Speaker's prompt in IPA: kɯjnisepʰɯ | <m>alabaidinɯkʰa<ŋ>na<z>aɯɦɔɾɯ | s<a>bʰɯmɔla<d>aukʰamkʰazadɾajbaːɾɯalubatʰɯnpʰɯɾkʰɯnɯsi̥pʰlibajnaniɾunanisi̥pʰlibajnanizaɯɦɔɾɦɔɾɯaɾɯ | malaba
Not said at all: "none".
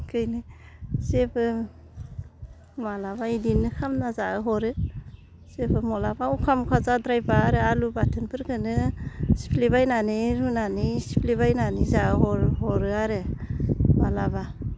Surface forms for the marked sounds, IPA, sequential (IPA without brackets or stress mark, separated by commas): m, m, z, e, b